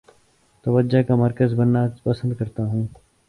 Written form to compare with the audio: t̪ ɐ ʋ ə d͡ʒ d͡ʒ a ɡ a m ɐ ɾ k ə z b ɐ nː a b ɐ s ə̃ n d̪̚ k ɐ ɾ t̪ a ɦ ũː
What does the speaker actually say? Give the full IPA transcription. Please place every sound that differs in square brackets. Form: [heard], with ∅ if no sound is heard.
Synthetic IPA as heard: t̪ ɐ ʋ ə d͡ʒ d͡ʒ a [k] a m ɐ ɾ k ə z b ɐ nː a [p] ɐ s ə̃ n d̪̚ k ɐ ɾ t̪ a ɦ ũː